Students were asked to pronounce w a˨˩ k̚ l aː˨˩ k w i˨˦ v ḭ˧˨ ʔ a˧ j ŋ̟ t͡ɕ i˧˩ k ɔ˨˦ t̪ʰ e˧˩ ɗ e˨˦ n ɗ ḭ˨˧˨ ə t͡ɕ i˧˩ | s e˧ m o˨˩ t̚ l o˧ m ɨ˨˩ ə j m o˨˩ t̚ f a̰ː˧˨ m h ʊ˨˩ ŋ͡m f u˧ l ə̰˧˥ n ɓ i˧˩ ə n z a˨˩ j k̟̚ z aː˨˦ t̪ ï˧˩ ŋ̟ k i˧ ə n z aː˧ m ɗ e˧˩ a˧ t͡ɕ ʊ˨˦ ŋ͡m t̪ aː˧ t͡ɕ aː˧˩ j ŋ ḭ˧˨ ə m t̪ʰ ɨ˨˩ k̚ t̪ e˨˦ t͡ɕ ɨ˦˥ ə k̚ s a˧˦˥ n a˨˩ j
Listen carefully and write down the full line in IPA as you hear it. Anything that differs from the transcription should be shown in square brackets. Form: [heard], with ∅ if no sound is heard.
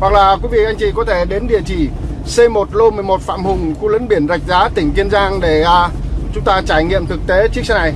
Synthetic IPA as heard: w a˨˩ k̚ l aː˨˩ k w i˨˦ v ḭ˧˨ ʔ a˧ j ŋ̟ t͡ɕ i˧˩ k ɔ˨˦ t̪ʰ e˧˩ ɗ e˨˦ n ɗ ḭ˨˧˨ ə t͡ɕ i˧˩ | s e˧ m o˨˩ t̚ l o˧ m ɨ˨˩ ə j m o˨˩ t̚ f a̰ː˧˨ m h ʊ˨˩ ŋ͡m [x] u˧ l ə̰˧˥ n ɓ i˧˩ ə n z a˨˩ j k̟̚ z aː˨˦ t̪ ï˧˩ ŋ̟ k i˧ ə n z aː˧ [ŋ] ɗ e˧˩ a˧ t͡ɕ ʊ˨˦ ŋ͡m t̪ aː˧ t͡ɕ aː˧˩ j ŋ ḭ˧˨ ə m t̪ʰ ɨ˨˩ k̚ t̪ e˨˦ t͡ɕ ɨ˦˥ ə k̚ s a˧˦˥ n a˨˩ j